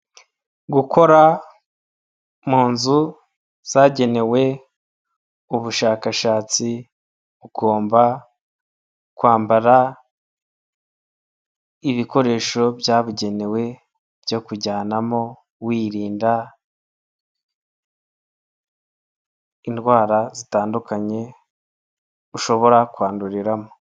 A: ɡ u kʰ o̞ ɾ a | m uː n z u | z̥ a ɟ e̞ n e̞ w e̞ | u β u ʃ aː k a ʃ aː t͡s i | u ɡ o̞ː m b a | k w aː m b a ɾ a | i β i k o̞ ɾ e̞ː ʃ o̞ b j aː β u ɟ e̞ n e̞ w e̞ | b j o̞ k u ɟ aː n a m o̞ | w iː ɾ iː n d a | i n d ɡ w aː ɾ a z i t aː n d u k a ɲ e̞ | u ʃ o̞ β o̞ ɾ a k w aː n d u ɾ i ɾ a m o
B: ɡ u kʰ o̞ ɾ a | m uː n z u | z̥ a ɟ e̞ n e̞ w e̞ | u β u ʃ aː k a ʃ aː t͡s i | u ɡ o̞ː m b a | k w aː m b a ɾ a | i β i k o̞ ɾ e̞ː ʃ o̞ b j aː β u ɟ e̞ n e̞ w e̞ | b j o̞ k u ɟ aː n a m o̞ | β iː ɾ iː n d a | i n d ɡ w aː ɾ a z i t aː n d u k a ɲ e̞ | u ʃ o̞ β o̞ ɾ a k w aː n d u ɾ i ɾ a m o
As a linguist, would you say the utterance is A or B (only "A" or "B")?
A